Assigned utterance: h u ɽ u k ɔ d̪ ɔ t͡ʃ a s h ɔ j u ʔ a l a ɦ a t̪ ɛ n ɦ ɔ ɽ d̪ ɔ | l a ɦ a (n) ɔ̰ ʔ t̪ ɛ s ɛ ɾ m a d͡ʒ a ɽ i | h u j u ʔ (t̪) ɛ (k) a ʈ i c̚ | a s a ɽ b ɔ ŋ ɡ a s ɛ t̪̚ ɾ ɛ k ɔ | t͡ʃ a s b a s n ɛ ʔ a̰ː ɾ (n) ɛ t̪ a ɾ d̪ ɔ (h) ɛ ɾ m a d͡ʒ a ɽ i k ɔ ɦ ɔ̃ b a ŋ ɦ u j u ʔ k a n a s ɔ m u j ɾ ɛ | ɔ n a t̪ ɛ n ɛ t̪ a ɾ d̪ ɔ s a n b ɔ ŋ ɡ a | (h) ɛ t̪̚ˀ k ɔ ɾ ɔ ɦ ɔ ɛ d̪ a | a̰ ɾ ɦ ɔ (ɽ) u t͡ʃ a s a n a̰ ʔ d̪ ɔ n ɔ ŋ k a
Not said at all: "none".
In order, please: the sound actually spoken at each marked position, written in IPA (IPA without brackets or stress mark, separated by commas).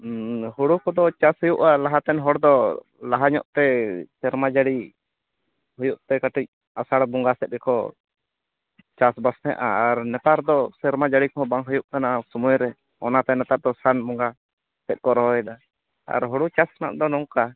ɲ, t̪, k, n, s, s, ɽ